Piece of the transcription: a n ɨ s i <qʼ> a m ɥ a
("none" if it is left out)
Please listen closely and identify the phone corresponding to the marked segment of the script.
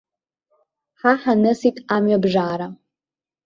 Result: tʼ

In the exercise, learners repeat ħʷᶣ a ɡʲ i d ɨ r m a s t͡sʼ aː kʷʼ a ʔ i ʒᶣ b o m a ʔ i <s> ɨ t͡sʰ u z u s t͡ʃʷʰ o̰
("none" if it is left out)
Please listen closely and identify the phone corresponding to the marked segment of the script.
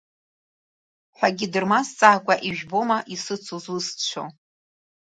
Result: s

